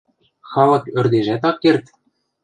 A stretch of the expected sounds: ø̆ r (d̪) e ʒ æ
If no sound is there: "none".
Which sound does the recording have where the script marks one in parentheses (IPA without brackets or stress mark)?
d̪